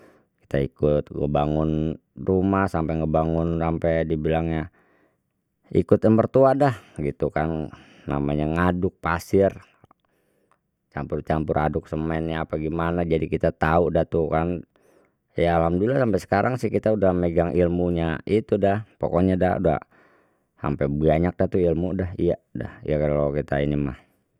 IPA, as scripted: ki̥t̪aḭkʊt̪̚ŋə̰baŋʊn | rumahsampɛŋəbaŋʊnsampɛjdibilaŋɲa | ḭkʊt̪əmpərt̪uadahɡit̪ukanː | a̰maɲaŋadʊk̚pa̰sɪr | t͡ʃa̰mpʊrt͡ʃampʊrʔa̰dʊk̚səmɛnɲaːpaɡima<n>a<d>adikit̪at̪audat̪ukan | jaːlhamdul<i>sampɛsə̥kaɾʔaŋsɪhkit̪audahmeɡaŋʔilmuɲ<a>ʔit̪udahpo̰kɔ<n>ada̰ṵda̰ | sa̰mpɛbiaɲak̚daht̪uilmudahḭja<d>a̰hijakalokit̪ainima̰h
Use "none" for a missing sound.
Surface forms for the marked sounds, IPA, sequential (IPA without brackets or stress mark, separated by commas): n, d͡ʒ, a, a, ɲ, d